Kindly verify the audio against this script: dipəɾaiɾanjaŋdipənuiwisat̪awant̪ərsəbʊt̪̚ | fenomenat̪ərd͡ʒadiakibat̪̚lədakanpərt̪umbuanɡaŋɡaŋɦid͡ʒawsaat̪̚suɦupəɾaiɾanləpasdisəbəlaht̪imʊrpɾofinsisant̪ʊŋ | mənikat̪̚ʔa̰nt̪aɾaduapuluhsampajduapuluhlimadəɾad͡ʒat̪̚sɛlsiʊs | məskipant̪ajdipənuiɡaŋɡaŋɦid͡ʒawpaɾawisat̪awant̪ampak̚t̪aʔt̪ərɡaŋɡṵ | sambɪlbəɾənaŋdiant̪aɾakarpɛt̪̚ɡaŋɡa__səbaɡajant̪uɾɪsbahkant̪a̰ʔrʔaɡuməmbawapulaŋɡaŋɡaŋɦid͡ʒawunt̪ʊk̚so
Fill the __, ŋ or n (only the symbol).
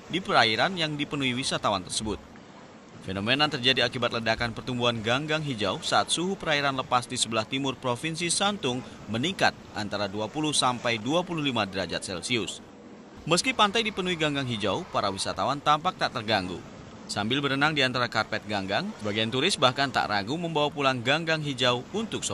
ŋ